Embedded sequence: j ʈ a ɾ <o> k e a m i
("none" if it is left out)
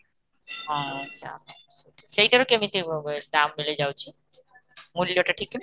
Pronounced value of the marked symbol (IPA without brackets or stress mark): o